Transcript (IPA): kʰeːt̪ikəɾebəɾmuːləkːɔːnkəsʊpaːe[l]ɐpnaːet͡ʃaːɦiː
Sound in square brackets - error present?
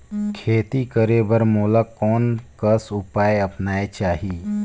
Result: yes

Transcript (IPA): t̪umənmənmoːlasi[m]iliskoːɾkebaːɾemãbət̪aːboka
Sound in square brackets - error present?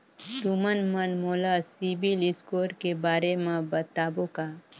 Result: yes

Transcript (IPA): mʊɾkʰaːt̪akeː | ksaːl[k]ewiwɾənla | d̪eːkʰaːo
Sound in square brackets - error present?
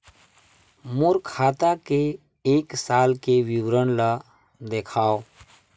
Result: no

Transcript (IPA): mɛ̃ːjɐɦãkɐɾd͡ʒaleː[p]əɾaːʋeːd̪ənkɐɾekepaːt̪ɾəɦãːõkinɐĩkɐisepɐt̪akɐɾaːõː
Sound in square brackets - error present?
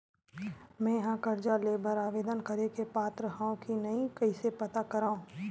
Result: yes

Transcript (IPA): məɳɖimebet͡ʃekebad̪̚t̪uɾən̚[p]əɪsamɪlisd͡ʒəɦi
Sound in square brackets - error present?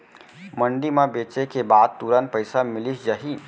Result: no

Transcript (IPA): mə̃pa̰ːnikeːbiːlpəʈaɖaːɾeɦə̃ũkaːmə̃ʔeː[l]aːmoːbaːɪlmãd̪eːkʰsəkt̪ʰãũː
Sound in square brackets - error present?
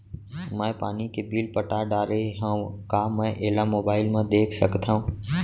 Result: no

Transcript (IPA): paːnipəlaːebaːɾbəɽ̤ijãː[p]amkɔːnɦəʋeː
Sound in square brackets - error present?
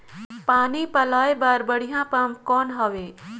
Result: no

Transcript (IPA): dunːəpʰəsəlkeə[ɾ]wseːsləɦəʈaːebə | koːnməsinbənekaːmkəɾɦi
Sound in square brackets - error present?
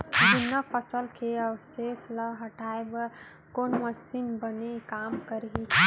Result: yes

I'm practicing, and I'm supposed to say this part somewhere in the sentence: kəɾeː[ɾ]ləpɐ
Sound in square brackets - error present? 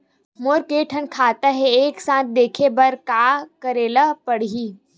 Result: yes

